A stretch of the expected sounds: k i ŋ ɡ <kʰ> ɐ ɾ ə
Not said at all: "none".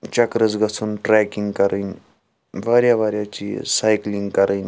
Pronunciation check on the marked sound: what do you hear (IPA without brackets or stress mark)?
k